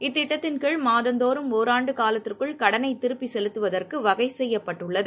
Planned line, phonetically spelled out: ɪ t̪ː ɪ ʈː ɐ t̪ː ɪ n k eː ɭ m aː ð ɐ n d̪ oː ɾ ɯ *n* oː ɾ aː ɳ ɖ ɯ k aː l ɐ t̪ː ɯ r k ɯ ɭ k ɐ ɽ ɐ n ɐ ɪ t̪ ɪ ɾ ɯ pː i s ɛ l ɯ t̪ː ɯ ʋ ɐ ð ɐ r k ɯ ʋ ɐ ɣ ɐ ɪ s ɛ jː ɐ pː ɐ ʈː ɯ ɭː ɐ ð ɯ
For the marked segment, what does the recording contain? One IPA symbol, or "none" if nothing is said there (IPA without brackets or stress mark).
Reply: m